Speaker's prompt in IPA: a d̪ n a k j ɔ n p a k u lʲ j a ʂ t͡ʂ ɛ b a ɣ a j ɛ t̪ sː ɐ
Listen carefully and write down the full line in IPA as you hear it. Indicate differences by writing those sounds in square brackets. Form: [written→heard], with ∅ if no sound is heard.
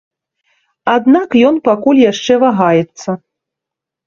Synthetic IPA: a d̪ n a k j ɔ n p a k u lʲ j a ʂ t͡ʂ ɛ [b→v] a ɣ a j ɛ t̪ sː ɐ